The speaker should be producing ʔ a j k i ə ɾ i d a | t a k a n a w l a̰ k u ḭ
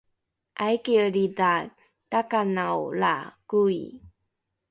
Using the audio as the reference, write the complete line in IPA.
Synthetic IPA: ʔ a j k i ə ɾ i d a | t a k a n a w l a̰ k u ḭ